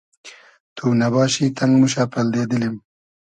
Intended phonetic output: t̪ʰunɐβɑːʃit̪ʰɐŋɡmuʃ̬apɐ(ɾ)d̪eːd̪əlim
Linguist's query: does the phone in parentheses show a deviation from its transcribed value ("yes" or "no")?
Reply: yes